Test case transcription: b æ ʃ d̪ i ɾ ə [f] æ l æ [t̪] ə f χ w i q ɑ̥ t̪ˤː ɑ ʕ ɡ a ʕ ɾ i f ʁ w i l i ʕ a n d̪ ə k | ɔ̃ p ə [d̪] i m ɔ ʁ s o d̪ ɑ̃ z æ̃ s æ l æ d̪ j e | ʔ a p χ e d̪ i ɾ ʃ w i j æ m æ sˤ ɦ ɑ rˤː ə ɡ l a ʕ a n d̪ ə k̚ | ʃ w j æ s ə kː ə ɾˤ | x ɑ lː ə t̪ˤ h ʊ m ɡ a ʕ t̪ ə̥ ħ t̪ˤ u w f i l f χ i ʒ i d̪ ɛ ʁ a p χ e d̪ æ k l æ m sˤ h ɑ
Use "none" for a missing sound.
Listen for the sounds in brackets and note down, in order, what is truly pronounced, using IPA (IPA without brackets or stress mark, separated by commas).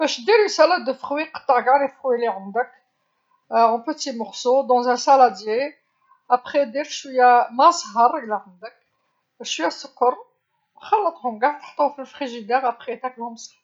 s, d̪, t̪